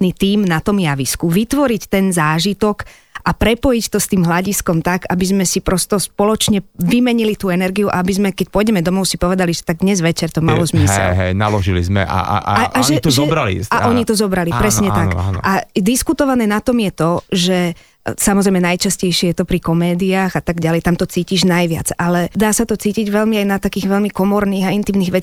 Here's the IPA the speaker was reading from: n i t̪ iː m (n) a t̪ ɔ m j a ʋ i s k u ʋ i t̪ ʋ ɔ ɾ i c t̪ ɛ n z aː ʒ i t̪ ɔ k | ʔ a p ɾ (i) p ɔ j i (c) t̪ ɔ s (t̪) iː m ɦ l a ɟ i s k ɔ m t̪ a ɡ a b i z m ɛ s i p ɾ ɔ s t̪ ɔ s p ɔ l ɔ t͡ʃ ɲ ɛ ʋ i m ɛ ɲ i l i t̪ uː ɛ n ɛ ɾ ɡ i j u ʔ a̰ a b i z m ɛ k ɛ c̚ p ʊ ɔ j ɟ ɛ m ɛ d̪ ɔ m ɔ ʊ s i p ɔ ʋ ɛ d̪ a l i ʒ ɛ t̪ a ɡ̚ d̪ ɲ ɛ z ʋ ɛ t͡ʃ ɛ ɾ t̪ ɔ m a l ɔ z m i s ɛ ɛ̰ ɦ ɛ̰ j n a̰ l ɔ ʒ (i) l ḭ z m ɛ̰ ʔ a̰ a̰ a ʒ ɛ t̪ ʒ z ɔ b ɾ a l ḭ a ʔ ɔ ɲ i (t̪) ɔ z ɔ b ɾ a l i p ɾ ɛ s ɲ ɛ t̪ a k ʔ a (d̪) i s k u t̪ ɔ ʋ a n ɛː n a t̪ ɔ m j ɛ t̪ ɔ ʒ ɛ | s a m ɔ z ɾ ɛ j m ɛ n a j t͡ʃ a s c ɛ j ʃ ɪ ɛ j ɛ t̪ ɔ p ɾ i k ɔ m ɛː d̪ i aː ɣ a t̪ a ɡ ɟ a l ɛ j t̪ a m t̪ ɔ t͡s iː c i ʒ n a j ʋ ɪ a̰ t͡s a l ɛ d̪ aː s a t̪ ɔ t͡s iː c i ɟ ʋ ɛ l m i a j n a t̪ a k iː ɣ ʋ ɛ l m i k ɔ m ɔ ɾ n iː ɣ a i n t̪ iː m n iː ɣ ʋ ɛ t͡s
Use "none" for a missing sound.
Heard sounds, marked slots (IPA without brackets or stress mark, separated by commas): n, ɛ, c, t̪, i, t̪, d̪